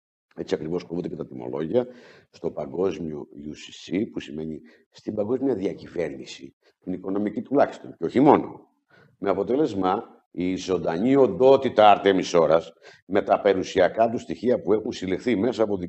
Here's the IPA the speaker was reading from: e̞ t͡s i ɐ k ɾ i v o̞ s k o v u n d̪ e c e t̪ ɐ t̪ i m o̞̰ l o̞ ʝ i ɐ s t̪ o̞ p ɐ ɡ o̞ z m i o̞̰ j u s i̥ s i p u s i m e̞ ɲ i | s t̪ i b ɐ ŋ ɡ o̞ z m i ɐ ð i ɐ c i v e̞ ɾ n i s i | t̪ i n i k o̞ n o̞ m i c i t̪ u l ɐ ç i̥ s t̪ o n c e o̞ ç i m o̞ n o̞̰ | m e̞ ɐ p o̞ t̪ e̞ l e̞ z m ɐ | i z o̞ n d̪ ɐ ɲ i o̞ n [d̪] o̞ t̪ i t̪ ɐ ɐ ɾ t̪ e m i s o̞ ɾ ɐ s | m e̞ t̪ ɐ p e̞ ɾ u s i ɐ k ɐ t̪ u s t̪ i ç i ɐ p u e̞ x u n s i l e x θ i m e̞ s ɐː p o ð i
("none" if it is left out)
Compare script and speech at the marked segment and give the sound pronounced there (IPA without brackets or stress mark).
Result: d̪